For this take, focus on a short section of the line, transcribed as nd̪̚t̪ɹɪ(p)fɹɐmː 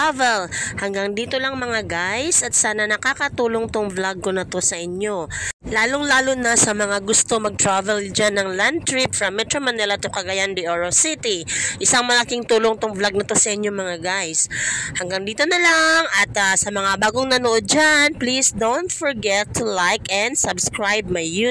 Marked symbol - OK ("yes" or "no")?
yes